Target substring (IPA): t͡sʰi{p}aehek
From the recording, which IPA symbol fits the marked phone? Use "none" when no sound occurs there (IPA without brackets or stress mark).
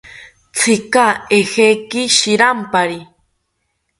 k